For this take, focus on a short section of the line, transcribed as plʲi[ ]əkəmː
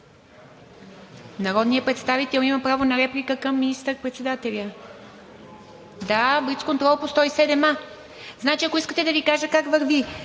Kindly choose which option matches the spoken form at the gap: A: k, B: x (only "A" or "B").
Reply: A